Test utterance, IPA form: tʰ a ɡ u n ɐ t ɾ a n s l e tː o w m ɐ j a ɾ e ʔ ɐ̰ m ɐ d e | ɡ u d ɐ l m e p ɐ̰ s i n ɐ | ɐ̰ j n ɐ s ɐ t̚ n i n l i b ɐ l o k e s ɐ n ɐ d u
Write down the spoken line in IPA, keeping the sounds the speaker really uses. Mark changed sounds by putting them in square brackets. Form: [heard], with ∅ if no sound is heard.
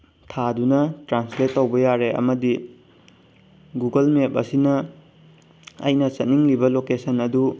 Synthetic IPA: tʰ a [d] u n ɐ t ɾ a n s l e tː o w [b] ɐ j a ɾ e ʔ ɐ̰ m ɐ d [i] | ɡ u [ɡ] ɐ l m e p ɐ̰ s i n ɐ | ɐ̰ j n ɐ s ɐ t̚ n i [ŋ] l i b ɐ l o k e s ɐ n ɐ d u